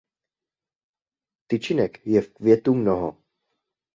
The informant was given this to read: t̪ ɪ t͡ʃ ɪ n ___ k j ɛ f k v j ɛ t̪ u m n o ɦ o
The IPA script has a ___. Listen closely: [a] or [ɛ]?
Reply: ɛ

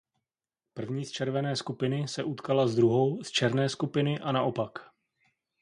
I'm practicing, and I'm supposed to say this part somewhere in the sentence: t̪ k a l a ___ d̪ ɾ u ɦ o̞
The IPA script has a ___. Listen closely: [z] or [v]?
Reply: z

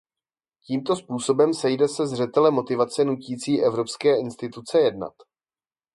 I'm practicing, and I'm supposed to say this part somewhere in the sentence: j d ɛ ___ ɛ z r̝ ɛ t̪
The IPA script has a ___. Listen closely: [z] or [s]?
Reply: s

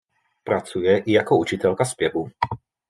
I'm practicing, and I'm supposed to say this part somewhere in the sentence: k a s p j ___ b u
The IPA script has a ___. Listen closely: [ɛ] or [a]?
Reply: ɛ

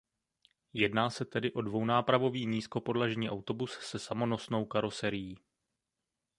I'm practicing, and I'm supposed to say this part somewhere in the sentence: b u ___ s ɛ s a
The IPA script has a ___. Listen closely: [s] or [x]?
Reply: s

